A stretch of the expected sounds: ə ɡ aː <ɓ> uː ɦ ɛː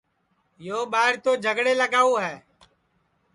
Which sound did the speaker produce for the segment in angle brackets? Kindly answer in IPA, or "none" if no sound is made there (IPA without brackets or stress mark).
none